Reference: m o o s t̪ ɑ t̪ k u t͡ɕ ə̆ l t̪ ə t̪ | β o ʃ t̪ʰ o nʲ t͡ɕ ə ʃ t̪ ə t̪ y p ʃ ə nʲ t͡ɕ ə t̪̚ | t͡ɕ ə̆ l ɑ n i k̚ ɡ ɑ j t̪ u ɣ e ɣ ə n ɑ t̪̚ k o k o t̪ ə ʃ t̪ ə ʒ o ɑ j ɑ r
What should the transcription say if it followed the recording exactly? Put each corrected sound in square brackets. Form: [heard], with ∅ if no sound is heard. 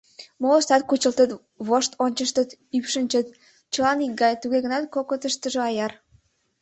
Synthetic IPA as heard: m o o s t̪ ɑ t̪ k u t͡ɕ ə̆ l t̪ ə t̪ | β o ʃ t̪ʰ o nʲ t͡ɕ ə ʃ t̪ ə t̪ y p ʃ ə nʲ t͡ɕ ə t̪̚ | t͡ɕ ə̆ l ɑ n i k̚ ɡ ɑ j t̪ u ɣ e ɣ ə n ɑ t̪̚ k o k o t̪ ə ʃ t̪ ə ʒ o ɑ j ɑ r

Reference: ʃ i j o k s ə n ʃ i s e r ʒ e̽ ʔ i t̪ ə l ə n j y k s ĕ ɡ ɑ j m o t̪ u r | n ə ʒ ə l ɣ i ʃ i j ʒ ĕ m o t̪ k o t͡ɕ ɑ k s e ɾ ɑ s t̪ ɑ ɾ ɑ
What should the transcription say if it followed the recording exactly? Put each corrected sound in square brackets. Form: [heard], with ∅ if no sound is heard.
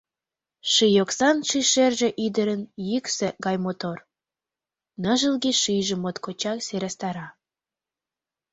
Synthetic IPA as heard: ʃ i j o k s [ɑ] n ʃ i [ʃ] e r ʒ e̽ ʔ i [d̪] ə [ɾ] ə n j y k s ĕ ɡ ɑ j m o t̪ [o] r | n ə ʒ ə l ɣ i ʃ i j ʒ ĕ m o t̪ k o t͡ɕ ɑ k s e ɾ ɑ s t̪ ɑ ɾ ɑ

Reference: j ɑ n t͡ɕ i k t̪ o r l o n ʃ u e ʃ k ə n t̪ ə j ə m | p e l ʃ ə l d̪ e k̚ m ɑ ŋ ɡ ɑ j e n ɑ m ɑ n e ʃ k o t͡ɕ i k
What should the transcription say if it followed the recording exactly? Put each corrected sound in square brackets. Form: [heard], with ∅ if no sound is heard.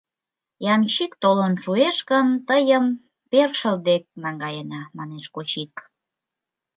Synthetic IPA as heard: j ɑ [m] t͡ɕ i k t̪ o [∅] l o n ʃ u e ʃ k ə n t̪ ə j ə m | p e [r] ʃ ə l d̪ e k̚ [n] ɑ ŋ ɡ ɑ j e n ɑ m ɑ n e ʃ k o t͡ɕ i k

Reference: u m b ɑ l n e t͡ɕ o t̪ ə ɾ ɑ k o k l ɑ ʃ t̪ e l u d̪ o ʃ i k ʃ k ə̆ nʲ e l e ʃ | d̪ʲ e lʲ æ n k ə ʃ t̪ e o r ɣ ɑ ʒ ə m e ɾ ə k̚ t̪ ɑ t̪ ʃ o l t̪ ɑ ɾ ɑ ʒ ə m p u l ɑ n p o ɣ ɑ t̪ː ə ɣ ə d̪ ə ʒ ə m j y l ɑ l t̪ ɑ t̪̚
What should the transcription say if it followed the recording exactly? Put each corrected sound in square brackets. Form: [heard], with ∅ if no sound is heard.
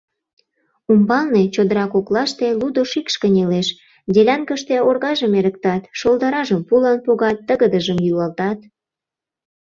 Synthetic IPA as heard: u m b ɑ l n e t͡ɕ o [d̪] ə ɾ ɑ k o k l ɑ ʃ t̪ e l u d̪ o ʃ i k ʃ k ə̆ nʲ e l e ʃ | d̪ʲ e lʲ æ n k ə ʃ t̪ e o r ɣ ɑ ʒ ə m e ɾ ə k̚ t̪ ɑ t̪ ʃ o l [d̪] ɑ ɾ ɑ ʒ ə m p u l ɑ n p o ɣ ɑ t̪ː ə ɣ ə d̪ ə ʒ ə m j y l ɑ l t̪ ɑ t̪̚

